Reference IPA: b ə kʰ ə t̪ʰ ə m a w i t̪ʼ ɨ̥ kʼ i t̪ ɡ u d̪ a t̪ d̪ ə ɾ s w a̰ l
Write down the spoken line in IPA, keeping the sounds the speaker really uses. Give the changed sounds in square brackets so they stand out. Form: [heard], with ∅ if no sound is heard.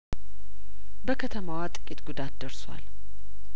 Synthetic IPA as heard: b ə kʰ ə t̪ʰ ə m a w [a] t̪ʼ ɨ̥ kʼ i t̪ ɡ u d̪ a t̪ d̪ ə ɾ s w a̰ l